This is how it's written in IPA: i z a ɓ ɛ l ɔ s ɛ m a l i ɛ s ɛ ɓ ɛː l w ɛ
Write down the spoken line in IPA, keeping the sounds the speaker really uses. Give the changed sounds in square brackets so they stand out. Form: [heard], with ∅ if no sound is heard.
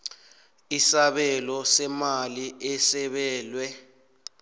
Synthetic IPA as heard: i [s] a ɓ ɛ l ɔ s ɛ m a l i ɛ s ɛ ɓ ɛː l w ɛ